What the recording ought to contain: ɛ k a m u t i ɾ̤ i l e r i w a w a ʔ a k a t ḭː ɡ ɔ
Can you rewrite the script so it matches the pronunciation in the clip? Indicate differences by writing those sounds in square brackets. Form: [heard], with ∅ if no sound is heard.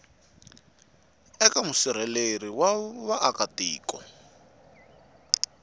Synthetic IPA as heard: ɛ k a m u [s] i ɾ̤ [ɛ] l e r i w a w a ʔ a k a t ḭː [k] ɔ